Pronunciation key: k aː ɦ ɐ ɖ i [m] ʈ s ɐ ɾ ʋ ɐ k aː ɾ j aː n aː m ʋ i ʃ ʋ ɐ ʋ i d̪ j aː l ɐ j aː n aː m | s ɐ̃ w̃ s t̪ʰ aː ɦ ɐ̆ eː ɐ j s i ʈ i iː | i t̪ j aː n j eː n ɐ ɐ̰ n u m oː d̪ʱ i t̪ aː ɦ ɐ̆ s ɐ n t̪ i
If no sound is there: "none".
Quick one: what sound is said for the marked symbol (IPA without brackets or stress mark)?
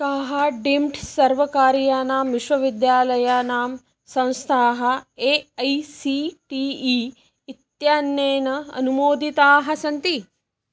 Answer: m